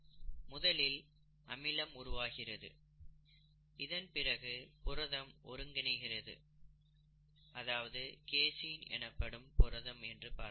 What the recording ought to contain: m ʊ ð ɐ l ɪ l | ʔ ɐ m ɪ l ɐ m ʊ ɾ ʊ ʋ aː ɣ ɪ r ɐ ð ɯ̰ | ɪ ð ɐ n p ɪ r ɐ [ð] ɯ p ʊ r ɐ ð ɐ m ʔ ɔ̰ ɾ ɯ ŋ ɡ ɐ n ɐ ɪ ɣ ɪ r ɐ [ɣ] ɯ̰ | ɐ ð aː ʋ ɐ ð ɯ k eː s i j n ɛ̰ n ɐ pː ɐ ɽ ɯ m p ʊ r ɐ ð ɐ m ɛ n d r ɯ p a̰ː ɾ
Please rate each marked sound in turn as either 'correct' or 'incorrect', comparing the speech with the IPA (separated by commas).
incorrect, incorrect